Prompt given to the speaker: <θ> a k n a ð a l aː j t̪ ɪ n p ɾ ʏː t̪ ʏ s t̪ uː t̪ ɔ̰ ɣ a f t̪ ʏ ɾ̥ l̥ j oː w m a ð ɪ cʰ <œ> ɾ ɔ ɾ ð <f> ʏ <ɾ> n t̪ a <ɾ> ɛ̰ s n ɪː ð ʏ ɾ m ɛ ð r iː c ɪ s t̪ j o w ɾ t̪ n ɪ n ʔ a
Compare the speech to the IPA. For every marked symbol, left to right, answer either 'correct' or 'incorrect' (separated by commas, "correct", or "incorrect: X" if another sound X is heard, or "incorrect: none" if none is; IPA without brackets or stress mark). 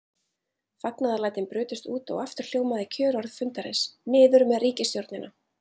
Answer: incorrect: f, incorrect: œː, correct, incorrect: none, correct